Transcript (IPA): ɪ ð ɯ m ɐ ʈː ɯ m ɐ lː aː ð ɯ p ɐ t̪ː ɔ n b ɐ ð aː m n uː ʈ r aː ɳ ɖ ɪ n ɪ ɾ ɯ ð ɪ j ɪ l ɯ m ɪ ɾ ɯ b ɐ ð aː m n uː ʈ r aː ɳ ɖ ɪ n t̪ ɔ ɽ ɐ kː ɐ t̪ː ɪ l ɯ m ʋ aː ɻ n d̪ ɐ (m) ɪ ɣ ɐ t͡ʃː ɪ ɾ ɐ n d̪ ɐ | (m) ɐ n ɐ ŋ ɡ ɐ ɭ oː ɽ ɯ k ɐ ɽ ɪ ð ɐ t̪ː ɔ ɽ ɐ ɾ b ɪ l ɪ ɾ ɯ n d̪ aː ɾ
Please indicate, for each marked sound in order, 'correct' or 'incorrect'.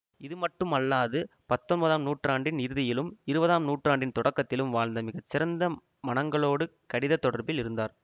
correct, correct

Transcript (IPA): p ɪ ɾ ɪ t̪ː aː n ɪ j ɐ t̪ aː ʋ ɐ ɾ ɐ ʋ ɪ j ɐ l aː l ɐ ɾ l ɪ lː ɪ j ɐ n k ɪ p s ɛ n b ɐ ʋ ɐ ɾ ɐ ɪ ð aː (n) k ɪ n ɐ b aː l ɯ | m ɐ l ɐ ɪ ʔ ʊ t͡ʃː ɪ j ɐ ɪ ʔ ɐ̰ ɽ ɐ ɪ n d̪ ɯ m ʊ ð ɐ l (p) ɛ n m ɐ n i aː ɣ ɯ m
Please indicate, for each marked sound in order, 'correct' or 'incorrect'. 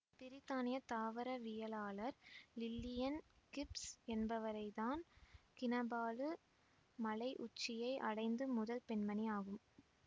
correct, correct

